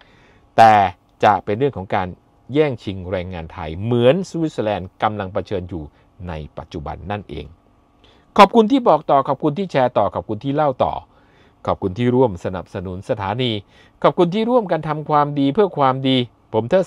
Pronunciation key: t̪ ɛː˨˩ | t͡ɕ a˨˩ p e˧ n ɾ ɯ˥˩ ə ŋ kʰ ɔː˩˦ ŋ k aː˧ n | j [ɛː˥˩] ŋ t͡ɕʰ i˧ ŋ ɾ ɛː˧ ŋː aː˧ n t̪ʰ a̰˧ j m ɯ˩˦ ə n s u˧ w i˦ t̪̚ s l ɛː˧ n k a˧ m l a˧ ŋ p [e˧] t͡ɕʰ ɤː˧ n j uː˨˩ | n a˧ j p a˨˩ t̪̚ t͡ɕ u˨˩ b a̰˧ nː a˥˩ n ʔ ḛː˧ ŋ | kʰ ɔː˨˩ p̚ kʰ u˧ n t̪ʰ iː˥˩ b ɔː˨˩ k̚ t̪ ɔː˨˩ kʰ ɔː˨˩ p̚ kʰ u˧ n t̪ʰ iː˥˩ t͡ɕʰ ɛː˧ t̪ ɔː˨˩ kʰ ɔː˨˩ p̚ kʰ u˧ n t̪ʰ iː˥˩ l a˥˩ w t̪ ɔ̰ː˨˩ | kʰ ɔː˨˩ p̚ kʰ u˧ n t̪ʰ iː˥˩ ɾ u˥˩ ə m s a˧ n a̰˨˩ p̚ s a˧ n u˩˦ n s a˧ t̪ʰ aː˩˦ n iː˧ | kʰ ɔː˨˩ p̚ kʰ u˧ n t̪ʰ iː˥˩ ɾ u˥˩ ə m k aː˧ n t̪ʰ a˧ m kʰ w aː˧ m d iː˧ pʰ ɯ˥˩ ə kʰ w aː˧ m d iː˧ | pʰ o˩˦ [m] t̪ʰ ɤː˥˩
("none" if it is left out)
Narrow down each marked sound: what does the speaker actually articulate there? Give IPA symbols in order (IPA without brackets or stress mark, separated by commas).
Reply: ɛː˥˩, a˧, m